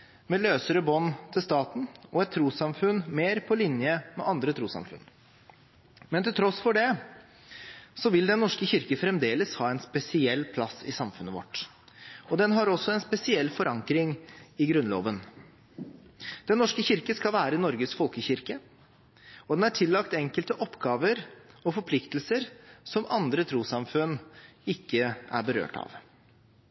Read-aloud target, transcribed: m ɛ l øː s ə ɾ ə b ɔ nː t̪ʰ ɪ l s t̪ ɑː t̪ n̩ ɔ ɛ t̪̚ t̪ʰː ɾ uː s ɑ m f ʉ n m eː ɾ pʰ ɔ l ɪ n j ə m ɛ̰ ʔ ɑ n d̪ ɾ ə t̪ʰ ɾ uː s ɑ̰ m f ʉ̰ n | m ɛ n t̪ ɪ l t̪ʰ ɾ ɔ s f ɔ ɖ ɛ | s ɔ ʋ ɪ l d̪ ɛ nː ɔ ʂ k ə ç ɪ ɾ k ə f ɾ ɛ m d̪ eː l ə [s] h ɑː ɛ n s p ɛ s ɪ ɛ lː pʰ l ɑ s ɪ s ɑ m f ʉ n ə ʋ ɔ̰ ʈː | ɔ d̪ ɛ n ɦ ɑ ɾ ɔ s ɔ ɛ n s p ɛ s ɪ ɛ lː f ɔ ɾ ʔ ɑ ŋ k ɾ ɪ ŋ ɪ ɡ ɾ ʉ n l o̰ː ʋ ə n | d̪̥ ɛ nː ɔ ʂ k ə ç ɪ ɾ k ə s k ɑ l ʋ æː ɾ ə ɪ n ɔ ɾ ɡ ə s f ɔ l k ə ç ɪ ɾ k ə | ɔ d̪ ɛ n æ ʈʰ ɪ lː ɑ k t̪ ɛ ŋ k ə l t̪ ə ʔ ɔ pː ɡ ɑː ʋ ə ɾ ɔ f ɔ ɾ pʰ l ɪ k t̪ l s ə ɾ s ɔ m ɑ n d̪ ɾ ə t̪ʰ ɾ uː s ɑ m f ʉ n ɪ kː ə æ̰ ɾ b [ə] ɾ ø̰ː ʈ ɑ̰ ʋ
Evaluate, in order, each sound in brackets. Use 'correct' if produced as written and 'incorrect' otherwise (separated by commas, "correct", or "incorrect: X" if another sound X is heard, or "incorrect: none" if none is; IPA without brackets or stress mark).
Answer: correct, correct